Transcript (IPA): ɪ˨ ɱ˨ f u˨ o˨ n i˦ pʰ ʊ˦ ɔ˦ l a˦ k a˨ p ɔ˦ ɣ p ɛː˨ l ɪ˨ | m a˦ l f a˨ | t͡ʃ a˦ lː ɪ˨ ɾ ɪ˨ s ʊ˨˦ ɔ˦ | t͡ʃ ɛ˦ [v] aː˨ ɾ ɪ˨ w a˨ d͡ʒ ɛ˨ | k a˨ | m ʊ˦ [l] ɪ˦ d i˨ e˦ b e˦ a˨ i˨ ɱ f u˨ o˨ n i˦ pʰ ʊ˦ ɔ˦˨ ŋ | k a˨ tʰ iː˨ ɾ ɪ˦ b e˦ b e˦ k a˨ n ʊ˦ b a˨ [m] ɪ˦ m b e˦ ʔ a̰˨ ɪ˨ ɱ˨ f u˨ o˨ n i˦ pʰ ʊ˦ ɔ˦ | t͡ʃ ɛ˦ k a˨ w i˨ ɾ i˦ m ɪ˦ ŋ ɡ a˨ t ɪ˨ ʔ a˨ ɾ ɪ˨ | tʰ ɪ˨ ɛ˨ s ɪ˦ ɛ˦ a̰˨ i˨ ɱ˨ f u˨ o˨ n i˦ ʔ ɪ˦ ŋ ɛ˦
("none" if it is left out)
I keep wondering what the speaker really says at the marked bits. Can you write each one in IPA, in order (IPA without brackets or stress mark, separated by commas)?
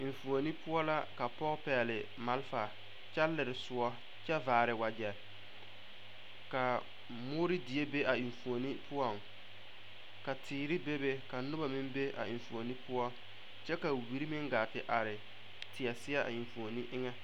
v, ɾ, m